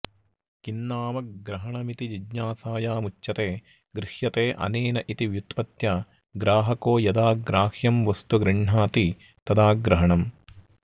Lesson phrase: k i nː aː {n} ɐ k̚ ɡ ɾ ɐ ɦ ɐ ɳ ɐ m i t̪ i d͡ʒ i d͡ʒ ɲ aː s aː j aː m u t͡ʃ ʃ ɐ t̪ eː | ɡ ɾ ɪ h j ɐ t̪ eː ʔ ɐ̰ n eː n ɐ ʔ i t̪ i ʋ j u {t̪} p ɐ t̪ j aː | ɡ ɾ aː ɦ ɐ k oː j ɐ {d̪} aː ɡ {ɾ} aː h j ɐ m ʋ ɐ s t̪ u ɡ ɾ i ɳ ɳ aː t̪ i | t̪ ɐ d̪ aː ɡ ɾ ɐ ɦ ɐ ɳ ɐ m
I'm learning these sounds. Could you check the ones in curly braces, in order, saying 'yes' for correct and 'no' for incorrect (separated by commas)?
no, yes, yes, yes